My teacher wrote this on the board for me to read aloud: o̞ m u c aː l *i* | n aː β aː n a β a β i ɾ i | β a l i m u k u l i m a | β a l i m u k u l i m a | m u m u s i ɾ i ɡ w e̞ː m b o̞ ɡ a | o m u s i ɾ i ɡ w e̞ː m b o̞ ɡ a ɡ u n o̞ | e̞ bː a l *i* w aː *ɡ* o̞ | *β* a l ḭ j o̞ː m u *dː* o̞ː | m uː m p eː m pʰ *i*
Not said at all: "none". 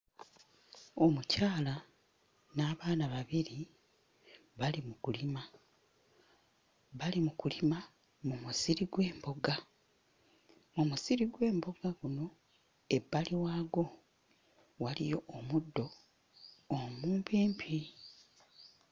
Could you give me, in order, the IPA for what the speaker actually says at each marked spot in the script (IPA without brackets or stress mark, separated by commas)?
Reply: a, i, ɡ, w, dː, i